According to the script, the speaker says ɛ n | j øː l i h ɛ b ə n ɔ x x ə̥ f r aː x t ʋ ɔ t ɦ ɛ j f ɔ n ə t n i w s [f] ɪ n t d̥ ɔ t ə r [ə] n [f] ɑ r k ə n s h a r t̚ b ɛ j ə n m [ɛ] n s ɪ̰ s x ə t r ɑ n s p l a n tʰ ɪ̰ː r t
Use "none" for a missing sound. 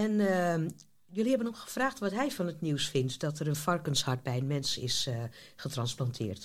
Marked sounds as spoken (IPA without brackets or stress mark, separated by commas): f, ə, f, ɛ